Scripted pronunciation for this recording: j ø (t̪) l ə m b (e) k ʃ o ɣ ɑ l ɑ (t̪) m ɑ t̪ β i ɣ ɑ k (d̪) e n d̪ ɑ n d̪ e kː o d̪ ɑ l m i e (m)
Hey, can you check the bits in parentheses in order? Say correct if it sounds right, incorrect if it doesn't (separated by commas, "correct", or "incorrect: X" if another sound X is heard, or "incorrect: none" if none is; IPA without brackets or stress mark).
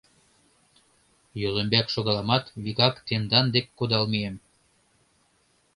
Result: incorrect: none, incorrect: æ, incorrect: none, incorrect: t̪, correct